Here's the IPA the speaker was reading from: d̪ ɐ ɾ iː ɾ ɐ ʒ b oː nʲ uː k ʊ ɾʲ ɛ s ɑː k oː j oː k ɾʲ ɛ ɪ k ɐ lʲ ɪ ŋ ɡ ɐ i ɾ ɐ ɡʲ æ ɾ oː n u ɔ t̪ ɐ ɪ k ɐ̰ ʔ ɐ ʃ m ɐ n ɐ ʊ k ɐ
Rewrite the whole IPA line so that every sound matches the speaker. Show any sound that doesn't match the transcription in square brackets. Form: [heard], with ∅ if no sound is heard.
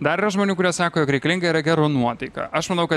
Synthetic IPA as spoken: d̪ ɐ ɾ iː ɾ ɐ ʒ [m] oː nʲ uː k ʊ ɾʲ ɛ s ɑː k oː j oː k ɾʲ ɛ ɪ k ɐ lʲ ɪ ŋ ɡ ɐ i ɾ ɐ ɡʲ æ ɾ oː n u ɔ t̪ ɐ ɪ k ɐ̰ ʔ ɐ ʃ m ɐ n ɐ ʊ k ɐ